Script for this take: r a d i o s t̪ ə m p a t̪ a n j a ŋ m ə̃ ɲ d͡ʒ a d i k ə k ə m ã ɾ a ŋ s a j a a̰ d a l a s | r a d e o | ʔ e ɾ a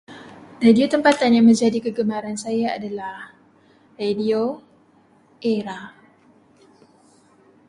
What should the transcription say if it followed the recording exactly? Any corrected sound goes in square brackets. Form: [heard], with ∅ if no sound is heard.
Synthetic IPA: r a d i o [∅] t̪ ə m p a t̪ a n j a ŋ m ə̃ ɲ d͡ʒ a d i k ə [ɡ] ə m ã ɾ a [n] s a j a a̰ d a l a [h] | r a d [i] o | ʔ e ɾ a

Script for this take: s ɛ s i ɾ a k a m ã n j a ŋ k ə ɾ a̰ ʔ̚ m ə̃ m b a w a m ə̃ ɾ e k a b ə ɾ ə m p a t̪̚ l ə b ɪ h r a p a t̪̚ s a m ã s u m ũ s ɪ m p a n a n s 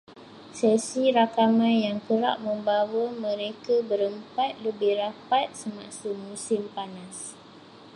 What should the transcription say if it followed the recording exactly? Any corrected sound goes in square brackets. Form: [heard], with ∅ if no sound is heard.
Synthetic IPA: s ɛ s i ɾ a k a m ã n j a ŋ k ə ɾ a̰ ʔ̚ m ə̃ m b a w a m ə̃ ɾ e k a b ə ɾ ə m p a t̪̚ l ə b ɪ h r a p a t̪̚ s [ə] m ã s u m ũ s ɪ m p a n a [∅] s

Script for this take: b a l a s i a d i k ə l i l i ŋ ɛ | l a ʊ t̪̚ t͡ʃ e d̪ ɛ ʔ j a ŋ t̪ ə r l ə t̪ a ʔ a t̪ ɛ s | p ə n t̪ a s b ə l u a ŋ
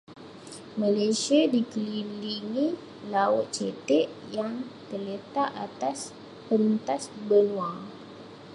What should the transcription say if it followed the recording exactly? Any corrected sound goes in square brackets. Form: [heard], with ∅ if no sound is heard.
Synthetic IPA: [m] a l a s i a d i k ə l i l i ŋ [i] | l a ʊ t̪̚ t͡ʃ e [t̪] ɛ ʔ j a ŋ t̪ ə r l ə t̪ a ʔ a t̪ [a] s | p ə n t̪ a s b ə l u a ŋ

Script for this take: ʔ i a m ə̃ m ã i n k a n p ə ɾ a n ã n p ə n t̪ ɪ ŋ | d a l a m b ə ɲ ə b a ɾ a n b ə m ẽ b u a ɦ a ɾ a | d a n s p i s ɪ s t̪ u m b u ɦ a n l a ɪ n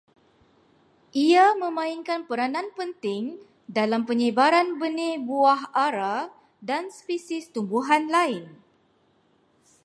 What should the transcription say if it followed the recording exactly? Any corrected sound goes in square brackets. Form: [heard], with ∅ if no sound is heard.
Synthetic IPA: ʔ i a m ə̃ m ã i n k a n p ə ɾ a n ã n p ə n t̪ ɪ ŋ | d a l a m [p] ə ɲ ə b a ɾ a n b ə [n] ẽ b u a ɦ a ɾ a | d a n s p i s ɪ s t̪ u m b u ɦ a n l a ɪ n

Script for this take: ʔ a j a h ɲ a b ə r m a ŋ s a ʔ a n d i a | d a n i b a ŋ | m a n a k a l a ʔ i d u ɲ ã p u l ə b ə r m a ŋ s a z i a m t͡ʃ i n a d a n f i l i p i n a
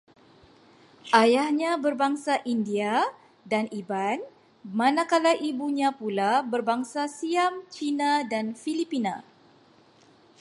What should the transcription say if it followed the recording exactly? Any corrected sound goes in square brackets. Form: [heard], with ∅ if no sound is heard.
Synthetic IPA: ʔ a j a h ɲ a b ə r [b] a ŋ s a ʔ [i] n d i a | d a n i b a [n] | m a n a k a l a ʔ i [b] u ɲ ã p u l [a] b ə r [b] a ŋ s a [s] i a m t͡ʃ i n a d a n f i l i p i n a

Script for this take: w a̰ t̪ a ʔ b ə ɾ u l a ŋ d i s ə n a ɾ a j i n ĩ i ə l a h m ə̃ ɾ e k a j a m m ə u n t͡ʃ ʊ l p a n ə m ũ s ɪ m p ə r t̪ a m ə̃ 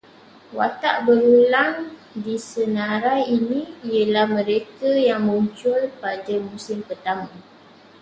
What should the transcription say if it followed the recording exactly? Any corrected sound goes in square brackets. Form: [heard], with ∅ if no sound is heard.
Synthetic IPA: w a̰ t̪ a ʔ b ə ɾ u l a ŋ d i s ə n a ɾ a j i n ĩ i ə l a h m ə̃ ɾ e k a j a [ŋ] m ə u [ɲ] t͡ʃ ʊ l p a [d] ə m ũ s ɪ m p ə r t̪ a m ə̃

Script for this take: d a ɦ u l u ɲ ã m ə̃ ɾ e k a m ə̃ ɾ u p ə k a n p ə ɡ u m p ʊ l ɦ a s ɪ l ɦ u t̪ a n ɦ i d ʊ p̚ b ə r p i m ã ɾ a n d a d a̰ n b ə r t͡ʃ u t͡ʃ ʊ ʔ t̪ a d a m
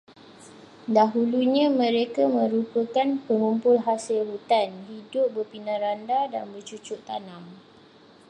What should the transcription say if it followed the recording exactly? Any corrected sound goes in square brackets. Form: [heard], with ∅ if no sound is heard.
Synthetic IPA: d a ɦ u l u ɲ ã m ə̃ ɾ e k a m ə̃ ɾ u p ə k a n p ə [ŋ] u m p ʊ l ɦ a s ɪ l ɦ u t̪ a n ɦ i d ʊ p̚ b ə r p i [n] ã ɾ a n d a d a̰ n b ə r t͡ʃ u t͡ʃ ʊ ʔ t̪ a [n] a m

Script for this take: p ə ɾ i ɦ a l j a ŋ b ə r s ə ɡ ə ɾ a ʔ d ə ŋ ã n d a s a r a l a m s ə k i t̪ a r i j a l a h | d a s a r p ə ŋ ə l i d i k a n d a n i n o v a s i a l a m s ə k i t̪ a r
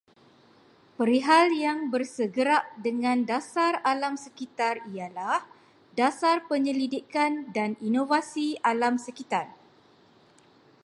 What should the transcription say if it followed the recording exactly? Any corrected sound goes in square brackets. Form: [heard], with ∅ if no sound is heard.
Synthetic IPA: p ə ɾ i ɦ a l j a ŋ b ə r s ə ɡ ə ɾ a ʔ d ə ŋ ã n d a s a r a l a m s ə k i t̪ a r i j a l a h | d a s a r p ə [ɲ] ə l i d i k a n d a n i n o v a s i a l a m s ə k i t̪ a r

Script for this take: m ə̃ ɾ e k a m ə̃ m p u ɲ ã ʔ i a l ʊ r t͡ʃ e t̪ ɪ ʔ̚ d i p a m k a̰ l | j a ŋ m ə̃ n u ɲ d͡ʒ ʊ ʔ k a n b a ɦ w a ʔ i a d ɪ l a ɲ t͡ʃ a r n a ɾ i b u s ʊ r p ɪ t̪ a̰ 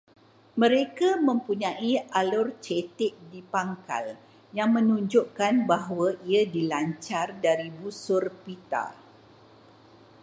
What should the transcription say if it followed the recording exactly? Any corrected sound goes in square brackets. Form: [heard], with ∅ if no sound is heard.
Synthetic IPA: m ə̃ ɾ e k a m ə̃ m p u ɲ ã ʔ i a l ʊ r t͡ʃ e t̪ ɪ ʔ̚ d i p a [ŋ] k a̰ l | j a ŋ m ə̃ n u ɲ d͡ʒ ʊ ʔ k a n b a ɦ w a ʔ i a d [i] l a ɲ t͡ʃ a r [d] a ɾ i b u s ʊ r p [i] t̪ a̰

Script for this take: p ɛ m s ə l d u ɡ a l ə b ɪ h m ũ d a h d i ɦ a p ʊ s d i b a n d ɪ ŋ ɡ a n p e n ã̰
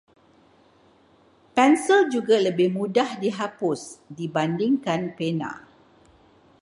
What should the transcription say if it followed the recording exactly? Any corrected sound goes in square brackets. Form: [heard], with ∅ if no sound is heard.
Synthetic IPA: p ɛ [n] s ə l [d͡ʒ] u ɡ a l ə b ɪ h m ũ d a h d i ɦ a p ʊ s d i b a n d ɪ ŋ [k] a n p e n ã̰

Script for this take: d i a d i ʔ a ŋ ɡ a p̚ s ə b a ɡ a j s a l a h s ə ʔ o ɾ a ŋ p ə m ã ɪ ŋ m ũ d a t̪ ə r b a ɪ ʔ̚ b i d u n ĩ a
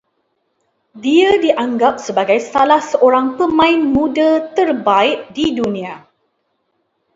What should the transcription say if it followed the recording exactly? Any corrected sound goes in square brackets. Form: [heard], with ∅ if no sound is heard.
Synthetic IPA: d i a d i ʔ a ŋ ɡ a p̚ s ə b a ɡ a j s a l a h s ə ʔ o ɾ a ŋ p ə m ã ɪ [n] m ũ d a t̪ ə r b a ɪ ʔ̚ [d] i d u n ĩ a

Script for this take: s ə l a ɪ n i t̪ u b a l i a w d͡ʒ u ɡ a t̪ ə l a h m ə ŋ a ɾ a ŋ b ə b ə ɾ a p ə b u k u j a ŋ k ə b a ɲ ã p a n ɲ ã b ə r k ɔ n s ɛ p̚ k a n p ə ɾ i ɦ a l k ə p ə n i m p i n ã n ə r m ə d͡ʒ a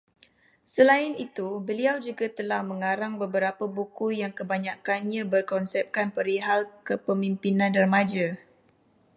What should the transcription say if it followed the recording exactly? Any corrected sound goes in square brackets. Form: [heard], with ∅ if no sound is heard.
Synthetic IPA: s ə l a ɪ n i t̪ u b [ə] l i a w d͡ʒ u ɡ a t̪ ə l a h m ə ŋ a ɾ a ŋ b ə b ə ɾ a p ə b u k u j a ŋ k ə b a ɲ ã [k] a n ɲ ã b ə r k ɔ n s ɛ p̚ k a n p ə ɾ i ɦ a l k ə p ə [m] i m p i n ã n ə r m [a] d͡ʒ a

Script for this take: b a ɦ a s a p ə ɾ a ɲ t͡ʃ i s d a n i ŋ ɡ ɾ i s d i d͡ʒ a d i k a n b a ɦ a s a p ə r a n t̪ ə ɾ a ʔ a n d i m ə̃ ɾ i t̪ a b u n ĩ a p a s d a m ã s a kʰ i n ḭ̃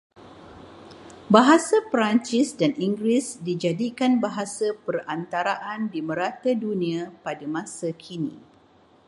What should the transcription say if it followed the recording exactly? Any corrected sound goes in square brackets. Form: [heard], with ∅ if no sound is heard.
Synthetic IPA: b a ɦ a s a p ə ɾ a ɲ t͡ʃ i s d a n i ŋ ɡ ɾ i s d i d͡ʒ a d i k a n b a ɦ a s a p ə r a n t̪ [a] ɾ a ʔ a n d i m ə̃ ɾ [a] t̪ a [d] u n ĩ a p a [∅] d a m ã s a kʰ i n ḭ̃

